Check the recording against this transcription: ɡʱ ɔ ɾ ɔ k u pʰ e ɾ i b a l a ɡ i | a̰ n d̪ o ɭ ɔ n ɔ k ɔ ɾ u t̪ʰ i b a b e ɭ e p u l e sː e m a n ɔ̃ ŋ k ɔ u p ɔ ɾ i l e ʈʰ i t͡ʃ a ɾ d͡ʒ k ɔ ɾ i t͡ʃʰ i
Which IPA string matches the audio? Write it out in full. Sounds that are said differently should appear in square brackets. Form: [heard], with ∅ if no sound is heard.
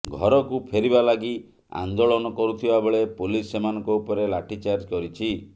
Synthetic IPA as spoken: ɡʱ ɔ ɾ ɔ k u pʰ e ɾ i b a l a ɡ i | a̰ n d̪ o ɭ ɔ n ɔ k ɔ ɾ u t̪ʰ i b a b e ɭ e p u l [i] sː e m a n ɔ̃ ŋ k ɔ u p ɔ ɾ [e] l [a] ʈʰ i t͡ʃ a ɾ d͡ʒ k ɔ ɾ i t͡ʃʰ i